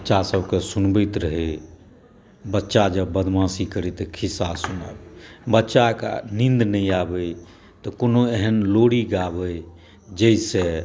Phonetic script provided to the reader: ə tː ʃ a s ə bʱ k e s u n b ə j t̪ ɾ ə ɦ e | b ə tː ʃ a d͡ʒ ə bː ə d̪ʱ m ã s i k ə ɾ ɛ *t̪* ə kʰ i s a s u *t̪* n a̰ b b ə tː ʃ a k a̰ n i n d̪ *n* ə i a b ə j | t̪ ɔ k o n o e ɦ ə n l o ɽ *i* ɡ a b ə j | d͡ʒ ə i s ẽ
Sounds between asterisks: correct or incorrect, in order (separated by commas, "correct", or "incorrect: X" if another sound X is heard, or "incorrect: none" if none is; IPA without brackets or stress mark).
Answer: correct, incorrect: none, correct, correct